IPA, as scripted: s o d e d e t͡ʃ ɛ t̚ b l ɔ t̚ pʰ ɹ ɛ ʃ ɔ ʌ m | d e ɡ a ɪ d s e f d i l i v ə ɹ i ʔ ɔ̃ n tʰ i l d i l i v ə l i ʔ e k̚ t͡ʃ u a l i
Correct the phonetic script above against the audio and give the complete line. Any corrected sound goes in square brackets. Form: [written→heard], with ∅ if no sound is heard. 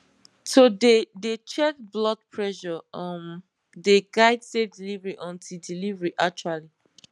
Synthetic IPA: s o d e d e t͡ʃ ɛ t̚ b l ɔ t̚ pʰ ɹ ɛ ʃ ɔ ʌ m | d e ɡ a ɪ d s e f d i l i v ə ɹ i ʔ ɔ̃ n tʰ i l d i l i v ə [l→ɹ] i ʔ [e→a] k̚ t͡ʃ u a l i